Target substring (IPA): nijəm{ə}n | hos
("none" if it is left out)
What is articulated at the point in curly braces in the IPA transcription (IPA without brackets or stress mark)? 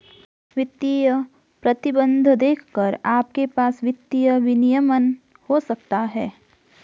ə